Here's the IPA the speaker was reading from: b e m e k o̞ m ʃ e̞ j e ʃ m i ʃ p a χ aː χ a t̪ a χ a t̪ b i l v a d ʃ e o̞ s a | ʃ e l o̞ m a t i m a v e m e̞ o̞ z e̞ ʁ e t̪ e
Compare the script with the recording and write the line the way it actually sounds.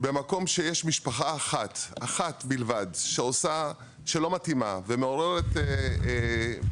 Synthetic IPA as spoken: b e m a k o̞ m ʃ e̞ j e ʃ m i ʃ p a χ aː χ a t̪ a χ a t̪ b i l v a d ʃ e o̞ s a | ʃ e l o̞ m a t i m a v e m e̞ o̞ ʁ e̞ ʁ e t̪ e